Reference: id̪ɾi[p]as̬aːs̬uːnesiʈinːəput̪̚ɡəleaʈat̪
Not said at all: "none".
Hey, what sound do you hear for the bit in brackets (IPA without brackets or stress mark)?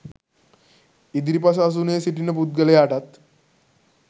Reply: p